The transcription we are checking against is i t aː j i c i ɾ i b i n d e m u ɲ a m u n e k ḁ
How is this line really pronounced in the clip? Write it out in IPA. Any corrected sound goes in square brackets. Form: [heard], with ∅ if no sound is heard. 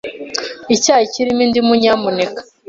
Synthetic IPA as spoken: i [c] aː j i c i ɾ i [m] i n d [i] m u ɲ a m u n e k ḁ

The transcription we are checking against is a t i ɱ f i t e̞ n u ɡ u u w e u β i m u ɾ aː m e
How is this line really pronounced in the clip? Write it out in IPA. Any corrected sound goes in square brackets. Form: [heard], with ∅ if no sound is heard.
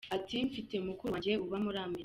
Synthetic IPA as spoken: a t i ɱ f i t e̞ [m] u [k] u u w e u β [a] m u ɾ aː m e

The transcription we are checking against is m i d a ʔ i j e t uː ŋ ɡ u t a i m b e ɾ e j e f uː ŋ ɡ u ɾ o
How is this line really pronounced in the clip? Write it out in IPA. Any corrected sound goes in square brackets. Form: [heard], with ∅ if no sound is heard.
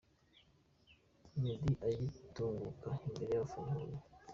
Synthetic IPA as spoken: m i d [i] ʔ [a] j [i] t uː ŋ ɡ u [k] a i m b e ɾ e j [a] f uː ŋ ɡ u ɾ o

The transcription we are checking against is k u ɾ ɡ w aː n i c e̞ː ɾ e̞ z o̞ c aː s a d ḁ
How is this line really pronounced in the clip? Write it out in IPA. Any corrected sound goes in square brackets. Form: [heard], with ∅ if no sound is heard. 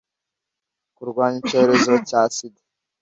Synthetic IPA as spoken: k u ɾ ɡ w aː [ɲ] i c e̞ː ɾ e̞ z o̞ c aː s [i] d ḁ

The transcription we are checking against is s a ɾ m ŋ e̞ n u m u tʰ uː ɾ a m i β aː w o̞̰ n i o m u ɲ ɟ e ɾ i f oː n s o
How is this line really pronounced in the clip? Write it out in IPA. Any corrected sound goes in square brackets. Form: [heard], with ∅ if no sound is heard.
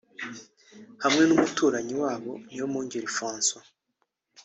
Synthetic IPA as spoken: [h] a [∅] m ŋ e̞ n u m u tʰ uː ɾ a [ɲ] i [w] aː [β] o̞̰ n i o m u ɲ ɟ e ɾ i f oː n s o

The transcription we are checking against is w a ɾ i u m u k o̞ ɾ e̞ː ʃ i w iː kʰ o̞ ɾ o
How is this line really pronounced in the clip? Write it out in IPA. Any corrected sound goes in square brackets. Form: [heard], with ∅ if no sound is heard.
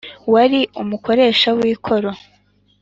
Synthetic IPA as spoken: w a ɾ i u m u k o̞ ɾ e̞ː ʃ [a] w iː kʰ o̞ ɾ o

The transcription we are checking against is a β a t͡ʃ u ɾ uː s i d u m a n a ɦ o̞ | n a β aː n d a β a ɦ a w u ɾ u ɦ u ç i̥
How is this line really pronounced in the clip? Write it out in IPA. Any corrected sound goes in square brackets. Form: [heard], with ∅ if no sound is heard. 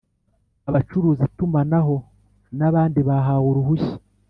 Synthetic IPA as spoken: a β a t͡ʃ u ɾ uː [z] i [t] u m a n a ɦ o̞ | n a β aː n d [i] β a ɦ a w u ɾ u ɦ u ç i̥

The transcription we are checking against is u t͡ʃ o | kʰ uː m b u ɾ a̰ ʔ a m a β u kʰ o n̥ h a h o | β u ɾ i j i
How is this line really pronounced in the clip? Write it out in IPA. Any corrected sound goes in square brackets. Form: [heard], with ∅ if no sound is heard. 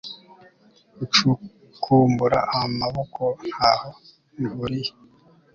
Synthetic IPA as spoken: u t͡ʃ [u] | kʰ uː m b u ɾ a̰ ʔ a m a β [o] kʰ o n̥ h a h o | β u ɾ i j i

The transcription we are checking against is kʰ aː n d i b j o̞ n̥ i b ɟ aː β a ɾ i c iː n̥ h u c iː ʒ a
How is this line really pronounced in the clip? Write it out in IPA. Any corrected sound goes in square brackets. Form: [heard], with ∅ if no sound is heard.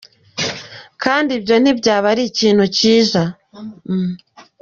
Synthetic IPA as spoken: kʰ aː n d i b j o̞ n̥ i b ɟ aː β a ɾ i c iː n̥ h u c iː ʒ a

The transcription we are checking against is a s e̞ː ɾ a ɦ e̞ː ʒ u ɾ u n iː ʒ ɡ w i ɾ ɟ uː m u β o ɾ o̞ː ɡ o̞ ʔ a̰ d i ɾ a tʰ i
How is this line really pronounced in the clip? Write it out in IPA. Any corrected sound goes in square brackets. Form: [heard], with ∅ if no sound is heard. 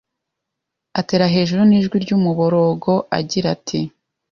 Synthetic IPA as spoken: a [t] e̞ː ɾ a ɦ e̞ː ʒ u ɾ u n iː ʒ ɡ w i ɾ ɟ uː m u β o ɾ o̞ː ɡ o̞ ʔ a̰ [ɟ] i ɾ a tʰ i

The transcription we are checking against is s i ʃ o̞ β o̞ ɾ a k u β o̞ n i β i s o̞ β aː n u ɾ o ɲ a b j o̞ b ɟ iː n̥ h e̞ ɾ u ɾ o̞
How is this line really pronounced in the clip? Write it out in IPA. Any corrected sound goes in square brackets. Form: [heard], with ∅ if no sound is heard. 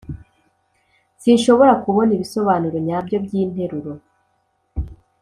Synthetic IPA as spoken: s i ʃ o̞ β o̞ ɾ a k u β o̞ n i β i s o̞ β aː n u ɾ o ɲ a b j o̞ b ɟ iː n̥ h e̞ ɾ u ɾ o̞

